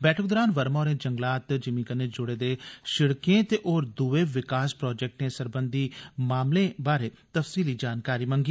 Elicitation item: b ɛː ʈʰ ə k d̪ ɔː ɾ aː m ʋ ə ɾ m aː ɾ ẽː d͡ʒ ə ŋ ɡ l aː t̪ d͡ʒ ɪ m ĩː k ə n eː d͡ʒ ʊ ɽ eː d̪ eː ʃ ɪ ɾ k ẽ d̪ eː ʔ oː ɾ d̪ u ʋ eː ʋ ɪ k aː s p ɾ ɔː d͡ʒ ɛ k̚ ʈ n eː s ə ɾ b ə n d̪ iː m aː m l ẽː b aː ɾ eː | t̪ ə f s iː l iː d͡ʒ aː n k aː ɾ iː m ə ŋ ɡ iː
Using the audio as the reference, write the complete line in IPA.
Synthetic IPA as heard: b ɛː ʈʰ ə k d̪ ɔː ɾ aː n ʋ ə ɾ m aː ɾ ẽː d͡ʒ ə ŋ ɡ l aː t̪ d͡ʒ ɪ m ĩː k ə n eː d͡ʒ ʊ ɽ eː d̪ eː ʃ ɪ ɽ k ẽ t̪ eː ʔ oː ɾ d̪ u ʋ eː ʋ ɪ k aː s p ɾ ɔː d͡ʒ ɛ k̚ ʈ n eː s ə ɾ b ə n d̪ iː m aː m l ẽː b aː ɾ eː | t̪ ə f s iː l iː d͡ʒ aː n k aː ɾ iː m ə ŋ ɡ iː